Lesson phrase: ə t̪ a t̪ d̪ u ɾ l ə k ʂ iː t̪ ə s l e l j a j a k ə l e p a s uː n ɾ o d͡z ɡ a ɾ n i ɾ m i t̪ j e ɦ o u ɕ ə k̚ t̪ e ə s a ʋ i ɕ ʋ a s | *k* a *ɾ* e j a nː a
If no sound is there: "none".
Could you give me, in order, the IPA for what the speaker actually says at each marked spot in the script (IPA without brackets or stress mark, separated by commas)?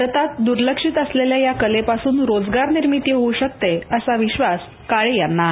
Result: k, ɭ